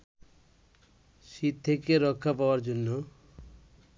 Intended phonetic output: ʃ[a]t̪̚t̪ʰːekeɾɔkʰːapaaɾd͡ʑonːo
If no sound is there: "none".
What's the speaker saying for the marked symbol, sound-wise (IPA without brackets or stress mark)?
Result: i